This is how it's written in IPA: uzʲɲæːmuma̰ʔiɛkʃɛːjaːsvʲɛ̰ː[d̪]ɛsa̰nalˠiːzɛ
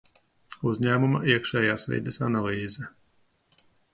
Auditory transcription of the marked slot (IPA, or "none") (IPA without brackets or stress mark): d̪